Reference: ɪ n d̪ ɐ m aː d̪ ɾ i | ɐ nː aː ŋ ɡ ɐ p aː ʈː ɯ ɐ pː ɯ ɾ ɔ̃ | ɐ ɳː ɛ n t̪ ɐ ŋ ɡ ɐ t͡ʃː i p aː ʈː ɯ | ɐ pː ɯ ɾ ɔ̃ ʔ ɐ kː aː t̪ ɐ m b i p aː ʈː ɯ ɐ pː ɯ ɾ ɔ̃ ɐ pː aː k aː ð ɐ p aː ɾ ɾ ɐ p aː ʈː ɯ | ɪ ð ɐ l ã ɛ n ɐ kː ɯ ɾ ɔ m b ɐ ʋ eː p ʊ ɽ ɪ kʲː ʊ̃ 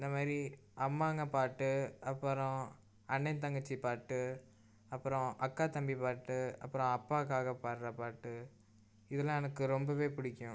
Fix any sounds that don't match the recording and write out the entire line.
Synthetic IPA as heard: ɪ n d̪ ɐ m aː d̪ ɾ i | ɐ mː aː ŋ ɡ ɐ p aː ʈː ɯ ɐ pː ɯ ɾ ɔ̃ | ɐ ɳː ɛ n t̪ ɐ ŋ ɡ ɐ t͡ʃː i p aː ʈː ɯ | ɐ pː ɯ ɾ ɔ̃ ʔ ɐ kː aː t̪ ɐ m b i p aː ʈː ɯ ɐ pː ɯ ɾ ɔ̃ ɐ pː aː k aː ɣ ɐ p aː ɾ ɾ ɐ p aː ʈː ɯ | ɪ ð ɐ l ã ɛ n ɐ kː ɯ ɾ ɔ m b ɐ ʋ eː p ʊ ɽ ɪ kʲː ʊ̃

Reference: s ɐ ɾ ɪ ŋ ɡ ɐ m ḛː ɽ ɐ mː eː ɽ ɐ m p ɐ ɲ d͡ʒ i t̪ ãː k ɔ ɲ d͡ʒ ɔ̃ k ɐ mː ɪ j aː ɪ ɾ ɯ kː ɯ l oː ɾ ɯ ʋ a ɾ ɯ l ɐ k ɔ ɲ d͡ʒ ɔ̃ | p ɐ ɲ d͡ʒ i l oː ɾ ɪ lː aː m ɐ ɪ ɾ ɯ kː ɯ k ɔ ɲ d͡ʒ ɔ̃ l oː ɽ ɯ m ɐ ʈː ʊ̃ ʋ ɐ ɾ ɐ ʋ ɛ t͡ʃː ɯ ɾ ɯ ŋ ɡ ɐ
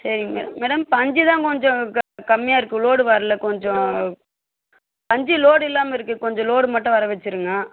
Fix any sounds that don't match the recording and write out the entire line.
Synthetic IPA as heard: s ɐ ɾ ɪ ŋ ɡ ɐ m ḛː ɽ ɐ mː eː ɽ ɐ m p ɐ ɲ d͡ʒ i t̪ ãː k ɔ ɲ d͡ʒ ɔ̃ k ɐ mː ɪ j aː ɪ ɾ ɯ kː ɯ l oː ɽ ɯ ʋ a ɾ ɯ l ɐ k ɔ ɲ d͡ʒ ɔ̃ | p ɐ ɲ d͡ʒ i l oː ɽ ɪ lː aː m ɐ ɪ ɾ ɯ kː ɯ k ɔ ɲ d͡ʒ ɔ̃ l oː ɽ ɯ m ɐ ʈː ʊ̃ ʋ ɐ ɾ ɐ ʋ ɛ t͡ʃː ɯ ɾ ɯ ŋ ɡ ɐ

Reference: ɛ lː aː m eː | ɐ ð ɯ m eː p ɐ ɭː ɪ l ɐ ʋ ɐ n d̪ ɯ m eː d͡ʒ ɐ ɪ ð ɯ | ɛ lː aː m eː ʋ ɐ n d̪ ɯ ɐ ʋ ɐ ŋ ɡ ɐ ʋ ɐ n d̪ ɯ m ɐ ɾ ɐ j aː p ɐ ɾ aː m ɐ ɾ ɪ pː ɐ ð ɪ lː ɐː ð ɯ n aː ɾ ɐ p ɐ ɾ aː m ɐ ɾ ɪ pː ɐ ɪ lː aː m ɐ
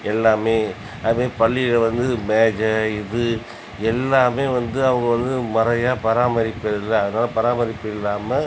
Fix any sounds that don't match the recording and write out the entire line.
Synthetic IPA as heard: ɛ lː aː m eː | ɐ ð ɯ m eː p ɐ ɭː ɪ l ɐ ʋ ɐ n d̪ ɯ m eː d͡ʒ ɐ ɪ ð ɯ | ɛ lː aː m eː ʋ ɐ n d̪ ɯ ɐ ʋ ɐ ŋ ɡ ɐ ʋ ɐ n d̪ ɯ m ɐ ɾ ɐ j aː p ɐ ɾ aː m ɐ ɾ ɪ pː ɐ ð ɪ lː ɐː ð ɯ n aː l ɐ p ɐ ɾ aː m ɐ ɾ ɪ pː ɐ ɪ lː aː m ɐ

